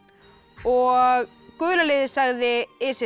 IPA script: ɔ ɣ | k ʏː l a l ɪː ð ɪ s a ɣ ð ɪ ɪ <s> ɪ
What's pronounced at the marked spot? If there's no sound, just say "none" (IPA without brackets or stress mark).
s